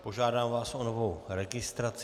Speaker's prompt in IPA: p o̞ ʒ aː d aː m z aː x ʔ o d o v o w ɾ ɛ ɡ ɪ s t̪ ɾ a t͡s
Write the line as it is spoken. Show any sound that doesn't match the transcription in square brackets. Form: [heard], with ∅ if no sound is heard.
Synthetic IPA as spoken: p o̞ ʒ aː d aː m [v] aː [s] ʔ o [n] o v o w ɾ ɛ ɡ ɪ s t̪ ɾ a t͡s

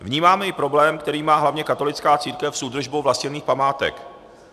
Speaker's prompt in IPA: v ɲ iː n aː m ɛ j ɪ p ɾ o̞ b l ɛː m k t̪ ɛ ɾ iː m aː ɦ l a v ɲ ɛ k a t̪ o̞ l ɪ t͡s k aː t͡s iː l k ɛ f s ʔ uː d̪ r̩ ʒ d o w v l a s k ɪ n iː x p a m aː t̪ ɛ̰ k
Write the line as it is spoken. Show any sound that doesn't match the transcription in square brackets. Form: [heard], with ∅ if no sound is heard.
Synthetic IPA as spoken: v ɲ iː [m] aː m ɛ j ɪ p ɾ o̞ b l ɛː m k t̪ ɛ ɾ iː m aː ɦ l a v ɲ ɛ k a t̪ o̞ l ɪ t͡s k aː t͡s iː [ɾ] k ɛ f s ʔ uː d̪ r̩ ʒ [b] o w v l a s [c] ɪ n iː x p a m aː t̪ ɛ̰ k

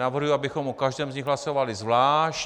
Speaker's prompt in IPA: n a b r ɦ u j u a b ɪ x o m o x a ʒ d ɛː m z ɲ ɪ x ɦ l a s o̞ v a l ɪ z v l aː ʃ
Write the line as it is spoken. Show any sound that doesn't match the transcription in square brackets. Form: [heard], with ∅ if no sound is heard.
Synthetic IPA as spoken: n a [v] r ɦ u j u a b ɪ x o m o [k] a ʒ d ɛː m z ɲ ɪ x ɦ l a s o̞ v a l ɪ z v l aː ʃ

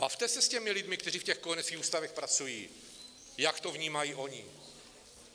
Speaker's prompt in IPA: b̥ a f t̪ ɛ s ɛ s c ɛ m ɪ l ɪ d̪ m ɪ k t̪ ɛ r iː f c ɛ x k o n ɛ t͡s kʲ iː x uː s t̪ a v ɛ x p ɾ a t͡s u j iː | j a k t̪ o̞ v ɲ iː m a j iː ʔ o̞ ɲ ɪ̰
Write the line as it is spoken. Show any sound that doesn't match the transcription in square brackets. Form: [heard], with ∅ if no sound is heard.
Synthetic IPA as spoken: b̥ a f t̪ ɛ s ɛ s c ɛ m ɪ l ɪ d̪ m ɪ k t̪ ɛ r iː f c ɛ x k o n ɛ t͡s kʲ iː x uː s t̪ a v ɛ x p ɾ a t͡s u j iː | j a k t̪ o̞ v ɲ iː m a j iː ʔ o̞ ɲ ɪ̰

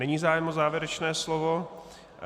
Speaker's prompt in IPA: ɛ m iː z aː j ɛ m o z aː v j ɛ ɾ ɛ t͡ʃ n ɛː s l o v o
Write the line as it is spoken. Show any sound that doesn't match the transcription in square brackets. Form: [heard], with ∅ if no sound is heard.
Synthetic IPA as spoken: ɛ [ɲ] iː z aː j ɛ m o z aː v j ɛ ɾ ɛ t͡ʃ n ɛː s l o v o

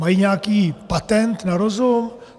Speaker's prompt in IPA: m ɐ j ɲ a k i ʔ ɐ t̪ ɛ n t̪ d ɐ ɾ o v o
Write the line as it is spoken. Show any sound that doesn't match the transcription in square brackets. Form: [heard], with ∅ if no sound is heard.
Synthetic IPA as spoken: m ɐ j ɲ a k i [p] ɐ t̪ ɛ n t̪ [n] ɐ ɾ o [z] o

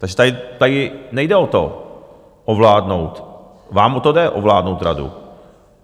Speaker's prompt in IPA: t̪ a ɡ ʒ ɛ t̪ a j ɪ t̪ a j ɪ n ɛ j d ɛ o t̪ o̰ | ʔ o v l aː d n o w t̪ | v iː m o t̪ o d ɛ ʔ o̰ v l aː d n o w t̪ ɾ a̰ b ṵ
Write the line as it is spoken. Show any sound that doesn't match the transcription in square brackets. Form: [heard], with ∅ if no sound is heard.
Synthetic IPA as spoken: t̪ a ɡ ʒ ɛ t̪ a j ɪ t̪ a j ɪ n ɛ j d ɛ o t̪ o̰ | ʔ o v l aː d n o w t̪ | v [aː] m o t̪ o d ɛ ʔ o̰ v l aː d n o w t̪ ɾ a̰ [d] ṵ

